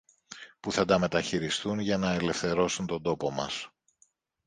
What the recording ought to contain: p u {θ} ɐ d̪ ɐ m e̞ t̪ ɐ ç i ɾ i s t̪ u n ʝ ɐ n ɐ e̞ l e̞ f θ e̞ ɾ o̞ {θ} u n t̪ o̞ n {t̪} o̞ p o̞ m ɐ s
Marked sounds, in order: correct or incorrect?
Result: correct, incorrect: s, incorrect: d̪

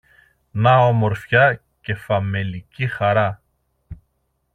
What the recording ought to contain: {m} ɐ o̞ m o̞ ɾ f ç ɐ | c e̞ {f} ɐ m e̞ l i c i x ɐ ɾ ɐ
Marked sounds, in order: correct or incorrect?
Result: incorrect: n, correct

